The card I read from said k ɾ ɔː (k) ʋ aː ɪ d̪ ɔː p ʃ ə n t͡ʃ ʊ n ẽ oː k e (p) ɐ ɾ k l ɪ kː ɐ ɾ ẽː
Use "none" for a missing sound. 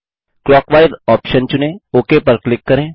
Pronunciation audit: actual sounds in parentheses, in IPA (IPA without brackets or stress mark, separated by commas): k, p